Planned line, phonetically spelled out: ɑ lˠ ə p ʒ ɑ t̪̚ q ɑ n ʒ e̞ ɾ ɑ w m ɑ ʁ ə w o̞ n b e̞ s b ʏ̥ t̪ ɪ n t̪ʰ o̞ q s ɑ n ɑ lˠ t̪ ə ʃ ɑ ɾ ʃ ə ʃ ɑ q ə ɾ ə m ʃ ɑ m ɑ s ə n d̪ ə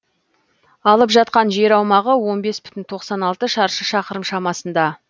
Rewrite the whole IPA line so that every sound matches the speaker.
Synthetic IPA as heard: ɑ lˠ ə p ʒ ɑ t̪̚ q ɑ n ʒ e̞ ɾ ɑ w m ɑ ʁ ə w o̞ n b e̞ s b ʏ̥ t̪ ɪ n t̪ʰ o̞ q s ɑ n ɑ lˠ t̪ ə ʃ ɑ ɾ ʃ ə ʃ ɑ q ə ɾ ə m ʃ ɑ m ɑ s ə n d̪ ɑ